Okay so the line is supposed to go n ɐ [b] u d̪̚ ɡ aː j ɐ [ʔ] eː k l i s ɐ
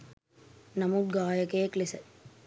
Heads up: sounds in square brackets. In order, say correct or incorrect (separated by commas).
incorrect, incorrect